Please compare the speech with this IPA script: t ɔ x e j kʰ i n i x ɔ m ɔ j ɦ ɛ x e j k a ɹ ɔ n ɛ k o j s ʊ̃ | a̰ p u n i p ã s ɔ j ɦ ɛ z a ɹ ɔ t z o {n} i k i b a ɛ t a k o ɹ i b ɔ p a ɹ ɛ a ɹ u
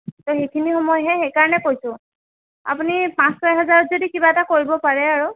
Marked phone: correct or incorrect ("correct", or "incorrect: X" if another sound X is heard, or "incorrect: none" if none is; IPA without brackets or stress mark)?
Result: incorrect: d